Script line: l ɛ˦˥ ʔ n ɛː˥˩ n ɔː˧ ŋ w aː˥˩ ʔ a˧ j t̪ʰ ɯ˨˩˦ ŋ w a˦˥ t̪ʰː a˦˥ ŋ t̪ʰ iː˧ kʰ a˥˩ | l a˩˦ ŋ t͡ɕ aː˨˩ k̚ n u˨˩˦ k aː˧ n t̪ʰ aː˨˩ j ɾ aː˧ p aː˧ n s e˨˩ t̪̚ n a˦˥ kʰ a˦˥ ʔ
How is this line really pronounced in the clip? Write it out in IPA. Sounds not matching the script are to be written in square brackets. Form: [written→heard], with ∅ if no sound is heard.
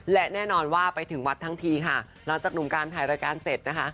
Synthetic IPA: l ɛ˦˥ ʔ n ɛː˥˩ n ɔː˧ [ŋ→n] w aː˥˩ [ʔ→p] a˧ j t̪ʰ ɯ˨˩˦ ŋ w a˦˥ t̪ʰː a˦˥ ŋ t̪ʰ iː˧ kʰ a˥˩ | l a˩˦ ŋ t͡ɕ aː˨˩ k̚ n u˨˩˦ k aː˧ n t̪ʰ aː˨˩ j ɾ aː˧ [p→k] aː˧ n s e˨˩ t̪̚ n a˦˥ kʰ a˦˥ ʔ